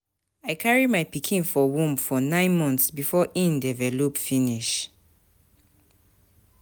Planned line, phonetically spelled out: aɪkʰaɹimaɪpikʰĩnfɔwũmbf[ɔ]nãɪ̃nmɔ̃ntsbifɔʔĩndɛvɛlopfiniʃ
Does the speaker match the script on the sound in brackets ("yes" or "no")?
yes